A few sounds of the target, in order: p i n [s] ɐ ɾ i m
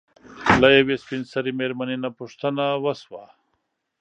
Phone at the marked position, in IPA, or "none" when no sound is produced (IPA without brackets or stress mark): s